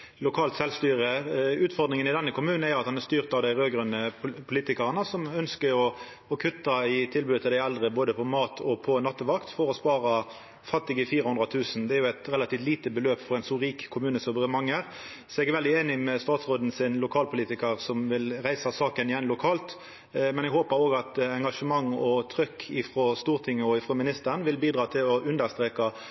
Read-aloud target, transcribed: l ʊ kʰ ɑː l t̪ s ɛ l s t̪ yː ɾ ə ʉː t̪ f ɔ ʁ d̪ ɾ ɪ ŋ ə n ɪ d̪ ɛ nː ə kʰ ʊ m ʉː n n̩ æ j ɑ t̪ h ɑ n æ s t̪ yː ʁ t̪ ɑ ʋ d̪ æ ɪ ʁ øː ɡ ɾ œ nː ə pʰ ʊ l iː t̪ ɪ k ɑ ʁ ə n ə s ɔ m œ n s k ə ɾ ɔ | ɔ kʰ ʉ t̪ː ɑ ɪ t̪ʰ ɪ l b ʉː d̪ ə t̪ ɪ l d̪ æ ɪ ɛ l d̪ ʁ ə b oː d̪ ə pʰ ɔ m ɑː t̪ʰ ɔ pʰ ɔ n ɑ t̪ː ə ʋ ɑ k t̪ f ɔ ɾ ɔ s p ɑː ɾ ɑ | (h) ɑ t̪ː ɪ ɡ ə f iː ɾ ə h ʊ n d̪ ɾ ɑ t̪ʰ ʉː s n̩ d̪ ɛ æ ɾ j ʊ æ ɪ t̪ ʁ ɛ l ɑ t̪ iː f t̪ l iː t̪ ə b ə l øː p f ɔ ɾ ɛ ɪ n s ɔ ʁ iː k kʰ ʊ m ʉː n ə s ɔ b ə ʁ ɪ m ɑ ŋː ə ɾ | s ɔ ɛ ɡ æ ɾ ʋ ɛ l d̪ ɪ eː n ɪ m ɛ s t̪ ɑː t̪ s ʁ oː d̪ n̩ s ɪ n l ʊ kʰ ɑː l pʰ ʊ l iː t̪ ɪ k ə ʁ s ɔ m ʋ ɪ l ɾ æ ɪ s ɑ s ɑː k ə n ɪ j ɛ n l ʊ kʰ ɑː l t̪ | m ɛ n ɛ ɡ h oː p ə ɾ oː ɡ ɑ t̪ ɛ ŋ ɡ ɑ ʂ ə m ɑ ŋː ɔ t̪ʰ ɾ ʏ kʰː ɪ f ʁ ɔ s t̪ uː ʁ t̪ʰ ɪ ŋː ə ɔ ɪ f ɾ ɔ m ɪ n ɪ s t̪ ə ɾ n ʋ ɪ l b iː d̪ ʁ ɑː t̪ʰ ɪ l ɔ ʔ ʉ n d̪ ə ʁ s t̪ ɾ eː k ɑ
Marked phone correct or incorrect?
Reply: incorrect